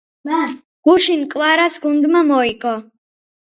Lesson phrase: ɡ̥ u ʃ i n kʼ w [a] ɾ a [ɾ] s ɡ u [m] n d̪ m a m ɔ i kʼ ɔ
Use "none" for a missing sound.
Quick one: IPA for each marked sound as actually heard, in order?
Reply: a, none, none

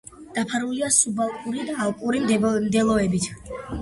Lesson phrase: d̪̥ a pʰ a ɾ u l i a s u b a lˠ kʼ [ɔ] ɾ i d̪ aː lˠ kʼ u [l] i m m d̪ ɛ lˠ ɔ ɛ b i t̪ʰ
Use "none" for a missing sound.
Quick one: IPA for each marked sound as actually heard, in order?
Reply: u, ɾ

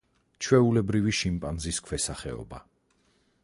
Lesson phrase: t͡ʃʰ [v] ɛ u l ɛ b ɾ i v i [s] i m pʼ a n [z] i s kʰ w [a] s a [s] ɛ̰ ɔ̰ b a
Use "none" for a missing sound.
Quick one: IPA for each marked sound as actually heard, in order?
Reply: w, ʃ, z, ɛ, χ

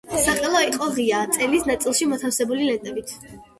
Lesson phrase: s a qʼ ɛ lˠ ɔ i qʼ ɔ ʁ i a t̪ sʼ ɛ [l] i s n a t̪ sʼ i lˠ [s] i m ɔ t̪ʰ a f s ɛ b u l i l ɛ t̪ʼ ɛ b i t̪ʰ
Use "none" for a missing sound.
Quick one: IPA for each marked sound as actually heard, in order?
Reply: l, ʃ

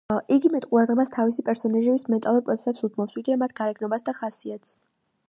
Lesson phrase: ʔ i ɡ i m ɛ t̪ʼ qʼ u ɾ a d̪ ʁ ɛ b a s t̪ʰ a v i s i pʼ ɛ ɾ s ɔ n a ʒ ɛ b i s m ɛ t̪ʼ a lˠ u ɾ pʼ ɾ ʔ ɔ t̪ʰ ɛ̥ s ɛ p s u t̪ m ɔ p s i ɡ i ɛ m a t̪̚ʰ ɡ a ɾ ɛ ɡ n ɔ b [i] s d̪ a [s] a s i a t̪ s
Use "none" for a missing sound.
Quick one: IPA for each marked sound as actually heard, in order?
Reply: a, χ

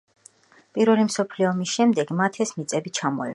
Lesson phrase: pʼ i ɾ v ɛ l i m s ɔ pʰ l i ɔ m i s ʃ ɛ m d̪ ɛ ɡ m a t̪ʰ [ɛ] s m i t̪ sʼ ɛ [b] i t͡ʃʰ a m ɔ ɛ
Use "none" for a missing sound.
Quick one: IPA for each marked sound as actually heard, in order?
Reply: ɛ, b

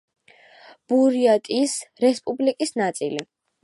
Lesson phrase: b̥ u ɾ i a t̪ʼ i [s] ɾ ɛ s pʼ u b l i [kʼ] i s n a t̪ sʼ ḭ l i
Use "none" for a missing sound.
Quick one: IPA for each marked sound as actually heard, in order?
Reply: s, kʼ

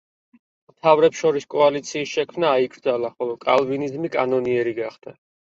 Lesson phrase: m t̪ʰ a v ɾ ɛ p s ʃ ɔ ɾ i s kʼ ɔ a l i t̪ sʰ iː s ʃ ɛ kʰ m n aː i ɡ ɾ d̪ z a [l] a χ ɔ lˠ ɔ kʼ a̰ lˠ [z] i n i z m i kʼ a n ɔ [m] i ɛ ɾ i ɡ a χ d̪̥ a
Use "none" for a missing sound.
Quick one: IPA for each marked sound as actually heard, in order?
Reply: l, v, n

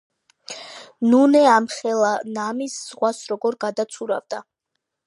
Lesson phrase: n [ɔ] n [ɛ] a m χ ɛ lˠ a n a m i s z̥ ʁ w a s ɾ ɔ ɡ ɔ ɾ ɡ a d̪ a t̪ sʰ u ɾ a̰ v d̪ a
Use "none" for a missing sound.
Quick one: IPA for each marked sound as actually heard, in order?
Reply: u, ɛ

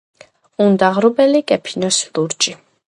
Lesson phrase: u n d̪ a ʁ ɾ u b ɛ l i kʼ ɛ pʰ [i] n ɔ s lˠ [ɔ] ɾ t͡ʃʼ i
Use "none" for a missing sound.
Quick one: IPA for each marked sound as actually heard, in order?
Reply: i, u

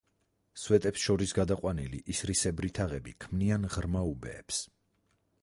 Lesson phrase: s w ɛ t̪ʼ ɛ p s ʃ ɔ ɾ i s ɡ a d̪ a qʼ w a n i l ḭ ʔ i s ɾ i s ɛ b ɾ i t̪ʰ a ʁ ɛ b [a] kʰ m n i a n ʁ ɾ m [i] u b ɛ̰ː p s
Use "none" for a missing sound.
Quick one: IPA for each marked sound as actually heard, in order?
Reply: i, a

